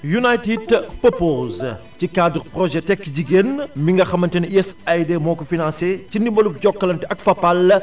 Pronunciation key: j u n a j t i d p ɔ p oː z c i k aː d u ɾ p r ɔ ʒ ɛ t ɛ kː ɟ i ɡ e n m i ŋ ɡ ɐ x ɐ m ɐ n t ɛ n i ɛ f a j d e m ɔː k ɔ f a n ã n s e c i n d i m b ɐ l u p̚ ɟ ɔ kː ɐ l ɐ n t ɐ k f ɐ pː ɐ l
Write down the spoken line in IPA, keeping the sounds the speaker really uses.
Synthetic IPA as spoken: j u n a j t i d p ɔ p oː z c i k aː d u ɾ p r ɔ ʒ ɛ t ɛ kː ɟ i ɡ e n m i ŋ ɡ ɐ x ɐ m ɐ n t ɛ n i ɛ s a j d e m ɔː k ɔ f i n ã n s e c i n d i m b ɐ l u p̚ ɟ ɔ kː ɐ l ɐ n t ɐ k f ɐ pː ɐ l